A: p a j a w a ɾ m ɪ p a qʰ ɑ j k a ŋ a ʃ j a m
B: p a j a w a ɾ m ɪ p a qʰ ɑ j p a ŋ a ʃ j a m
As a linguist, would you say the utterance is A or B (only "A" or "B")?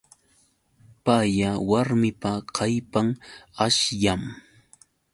B